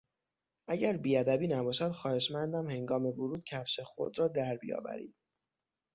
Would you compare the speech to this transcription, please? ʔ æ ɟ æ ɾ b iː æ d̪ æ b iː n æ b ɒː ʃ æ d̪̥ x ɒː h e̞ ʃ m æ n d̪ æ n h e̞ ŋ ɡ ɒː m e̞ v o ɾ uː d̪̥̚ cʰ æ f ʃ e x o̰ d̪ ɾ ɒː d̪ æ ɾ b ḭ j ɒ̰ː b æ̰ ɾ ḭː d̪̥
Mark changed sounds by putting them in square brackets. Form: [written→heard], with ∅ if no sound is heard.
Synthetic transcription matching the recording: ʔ æ ɟ æ ɾ b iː æ d̪ æ b iː n æ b ɒː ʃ æ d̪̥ x ɒː h e̞ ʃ m æ n d̪ æ [n→m] h e̞ ŋ ɡ ɒː m e̞ v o ɾ uː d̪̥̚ cʰ æ f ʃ e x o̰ d̪ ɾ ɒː d̪ æ ɾ b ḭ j ɒ̰ː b æ̰ ɾ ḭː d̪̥